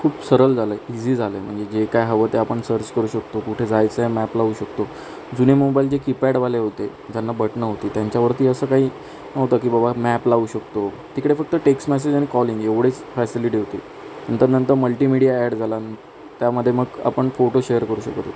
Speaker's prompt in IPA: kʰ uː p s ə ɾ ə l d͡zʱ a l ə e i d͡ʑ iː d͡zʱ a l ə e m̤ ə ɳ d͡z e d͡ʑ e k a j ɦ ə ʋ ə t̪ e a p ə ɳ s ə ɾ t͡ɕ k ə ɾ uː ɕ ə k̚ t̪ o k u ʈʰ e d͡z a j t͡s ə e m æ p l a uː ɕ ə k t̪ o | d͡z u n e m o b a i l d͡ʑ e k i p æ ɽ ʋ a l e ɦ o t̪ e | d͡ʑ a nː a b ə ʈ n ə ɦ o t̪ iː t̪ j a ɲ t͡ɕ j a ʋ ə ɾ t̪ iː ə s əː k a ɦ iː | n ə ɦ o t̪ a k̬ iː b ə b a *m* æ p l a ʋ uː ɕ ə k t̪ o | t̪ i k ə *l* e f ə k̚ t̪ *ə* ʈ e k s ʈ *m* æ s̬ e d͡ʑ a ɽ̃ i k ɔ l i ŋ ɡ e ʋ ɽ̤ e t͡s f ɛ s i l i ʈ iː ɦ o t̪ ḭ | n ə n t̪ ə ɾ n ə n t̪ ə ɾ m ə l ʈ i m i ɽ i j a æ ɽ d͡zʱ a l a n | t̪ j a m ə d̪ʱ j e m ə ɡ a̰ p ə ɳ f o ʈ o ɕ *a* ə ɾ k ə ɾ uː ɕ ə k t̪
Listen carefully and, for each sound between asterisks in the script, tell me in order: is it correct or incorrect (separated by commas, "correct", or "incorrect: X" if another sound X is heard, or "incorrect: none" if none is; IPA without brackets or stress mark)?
correct, incorrect: ɽ, correct, correct, incorrect: e